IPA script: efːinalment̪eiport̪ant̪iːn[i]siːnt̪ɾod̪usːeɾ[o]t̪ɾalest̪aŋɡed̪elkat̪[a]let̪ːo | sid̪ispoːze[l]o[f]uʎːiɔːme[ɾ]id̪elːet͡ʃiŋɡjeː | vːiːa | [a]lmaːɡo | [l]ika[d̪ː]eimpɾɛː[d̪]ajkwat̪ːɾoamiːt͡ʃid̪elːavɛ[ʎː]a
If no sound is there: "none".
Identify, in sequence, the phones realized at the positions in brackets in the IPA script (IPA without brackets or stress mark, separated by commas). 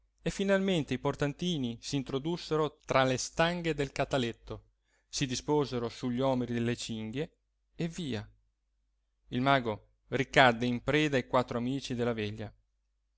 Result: i, o, a, ɾ, s, ɾ, i, r, d̪ː, d̪, ʎː